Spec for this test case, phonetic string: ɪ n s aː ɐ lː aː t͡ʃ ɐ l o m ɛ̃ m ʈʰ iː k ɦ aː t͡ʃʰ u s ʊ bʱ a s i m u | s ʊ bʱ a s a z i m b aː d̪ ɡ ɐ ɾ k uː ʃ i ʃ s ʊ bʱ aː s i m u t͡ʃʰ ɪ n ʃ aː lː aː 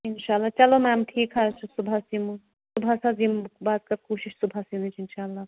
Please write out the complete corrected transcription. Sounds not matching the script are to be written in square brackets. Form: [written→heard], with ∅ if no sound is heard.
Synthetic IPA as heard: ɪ n [s→ʃ] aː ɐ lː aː t͡ʃ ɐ l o m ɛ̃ m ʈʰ iː k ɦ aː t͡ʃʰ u s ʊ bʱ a s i m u | s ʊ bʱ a s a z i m b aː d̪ [ɡ→k] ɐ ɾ k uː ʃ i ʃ s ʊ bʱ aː s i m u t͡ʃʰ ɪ n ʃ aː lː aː